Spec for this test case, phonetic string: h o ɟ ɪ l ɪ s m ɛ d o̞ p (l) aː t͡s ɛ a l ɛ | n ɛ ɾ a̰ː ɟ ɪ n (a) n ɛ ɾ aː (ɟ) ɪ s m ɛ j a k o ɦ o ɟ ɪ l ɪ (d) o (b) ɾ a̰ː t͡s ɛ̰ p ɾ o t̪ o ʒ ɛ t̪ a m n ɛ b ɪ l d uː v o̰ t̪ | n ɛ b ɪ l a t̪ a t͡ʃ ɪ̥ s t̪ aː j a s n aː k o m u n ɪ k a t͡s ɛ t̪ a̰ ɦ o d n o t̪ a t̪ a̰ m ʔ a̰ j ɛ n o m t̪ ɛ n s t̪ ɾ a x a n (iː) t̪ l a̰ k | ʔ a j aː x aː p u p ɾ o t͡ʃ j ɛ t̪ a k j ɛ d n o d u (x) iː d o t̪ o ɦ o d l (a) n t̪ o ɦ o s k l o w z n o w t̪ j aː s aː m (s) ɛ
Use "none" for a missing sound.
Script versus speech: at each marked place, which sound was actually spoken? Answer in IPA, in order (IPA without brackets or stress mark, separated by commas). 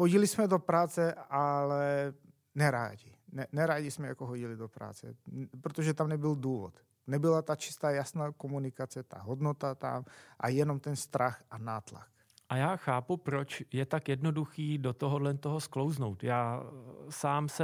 ɾ, ɛ, ɟ, d, p, aː, x, ɛ, s